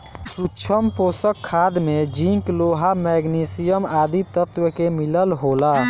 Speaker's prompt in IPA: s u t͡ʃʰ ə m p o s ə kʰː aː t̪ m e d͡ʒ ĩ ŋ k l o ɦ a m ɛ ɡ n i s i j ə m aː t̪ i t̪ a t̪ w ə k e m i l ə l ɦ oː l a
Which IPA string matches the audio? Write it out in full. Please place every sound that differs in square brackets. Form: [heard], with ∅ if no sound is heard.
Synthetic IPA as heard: s u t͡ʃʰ ə m p o s ə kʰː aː [d̪] m e d͡ʒ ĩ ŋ k l o ɦ a m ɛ ɡ n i s i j ə m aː [d̪] i t̪ [ə] t̪ w ə k e m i l ə l ɦ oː l a